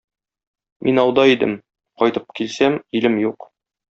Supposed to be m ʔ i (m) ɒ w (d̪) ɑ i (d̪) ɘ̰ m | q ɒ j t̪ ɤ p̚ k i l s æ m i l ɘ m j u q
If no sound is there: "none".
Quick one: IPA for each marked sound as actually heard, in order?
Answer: n, d̪, d̪

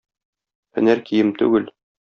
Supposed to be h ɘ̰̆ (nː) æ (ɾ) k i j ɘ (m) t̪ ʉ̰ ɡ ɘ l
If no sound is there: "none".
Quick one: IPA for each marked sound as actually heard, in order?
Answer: n, ɾ, m

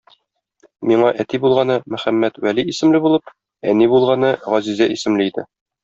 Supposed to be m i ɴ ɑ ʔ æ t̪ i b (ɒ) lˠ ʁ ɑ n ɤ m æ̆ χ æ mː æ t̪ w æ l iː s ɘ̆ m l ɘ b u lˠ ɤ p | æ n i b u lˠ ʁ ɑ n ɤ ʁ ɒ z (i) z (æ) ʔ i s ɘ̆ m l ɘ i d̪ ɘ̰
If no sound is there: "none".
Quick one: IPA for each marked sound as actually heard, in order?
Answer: u, i, æ

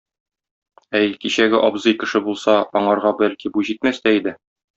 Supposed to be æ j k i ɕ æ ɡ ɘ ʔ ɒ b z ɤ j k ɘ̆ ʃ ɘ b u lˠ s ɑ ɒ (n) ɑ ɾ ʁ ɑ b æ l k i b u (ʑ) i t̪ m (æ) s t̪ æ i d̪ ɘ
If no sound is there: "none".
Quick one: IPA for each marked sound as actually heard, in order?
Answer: ɴ, ʑ, æ

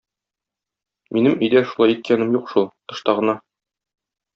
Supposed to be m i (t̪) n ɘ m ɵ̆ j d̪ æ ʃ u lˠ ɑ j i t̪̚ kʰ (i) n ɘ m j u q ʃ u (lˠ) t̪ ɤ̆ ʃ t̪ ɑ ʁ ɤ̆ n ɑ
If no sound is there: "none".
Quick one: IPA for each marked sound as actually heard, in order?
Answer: none, æ, lˠ

